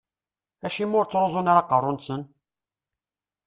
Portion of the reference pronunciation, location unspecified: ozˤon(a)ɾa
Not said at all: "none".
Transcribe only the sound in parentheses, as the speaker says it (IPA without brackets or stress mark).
a